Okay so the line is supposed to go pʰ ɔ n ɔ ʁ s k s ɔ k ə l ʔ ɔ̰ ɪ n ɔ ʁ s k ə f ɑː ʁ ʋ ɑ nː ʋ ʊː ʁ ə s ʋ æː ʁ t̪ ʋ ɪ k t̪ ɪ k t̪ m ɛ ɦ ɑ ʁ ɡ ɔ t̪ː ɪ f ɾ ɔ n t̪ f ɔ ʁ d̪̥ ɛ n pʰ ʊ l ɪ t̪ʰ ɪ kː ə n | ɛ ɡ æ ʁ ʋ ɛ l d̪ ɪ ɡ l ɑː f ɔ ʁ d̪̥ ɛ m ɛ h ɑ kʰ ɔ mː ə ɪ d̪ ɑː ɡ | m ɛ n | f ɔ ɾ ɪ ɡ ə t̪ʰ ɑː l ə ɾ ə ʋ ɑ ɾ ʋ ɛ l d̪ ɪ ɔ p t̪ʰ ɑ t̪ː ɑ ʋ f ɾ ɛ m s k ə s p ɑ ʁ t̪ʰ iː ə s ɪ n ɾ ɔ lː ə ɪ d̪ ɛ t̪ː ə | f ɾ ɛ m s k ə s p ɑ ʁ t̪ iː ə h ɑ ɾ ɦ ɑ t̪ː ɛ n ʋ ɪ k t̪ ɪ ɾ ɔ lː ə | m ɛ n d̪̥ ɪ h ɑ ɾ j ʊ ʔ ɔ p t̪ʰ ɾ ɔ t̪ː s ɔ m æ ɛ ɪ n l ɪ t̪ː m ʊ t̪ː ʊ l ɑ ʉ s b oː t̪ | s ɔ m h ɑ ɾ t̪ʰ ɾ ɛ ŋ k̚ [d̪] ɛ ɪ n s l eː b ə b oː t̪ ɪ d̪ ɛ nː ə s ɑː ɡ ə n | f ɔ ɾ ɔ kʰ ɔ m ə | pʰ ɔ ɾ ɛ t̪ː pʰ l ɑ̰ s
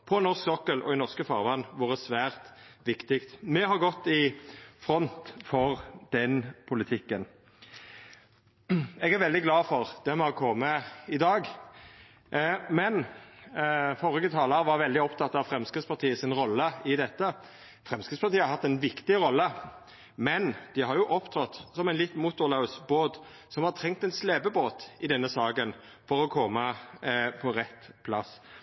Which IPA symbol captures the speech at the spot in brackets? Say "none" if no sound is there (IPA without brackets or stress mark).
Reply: t̪